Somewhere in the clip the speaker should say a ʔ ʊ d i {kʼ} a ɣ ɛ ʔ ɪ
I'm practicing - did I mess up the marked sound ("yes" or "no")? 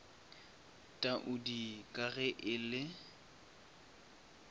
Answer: no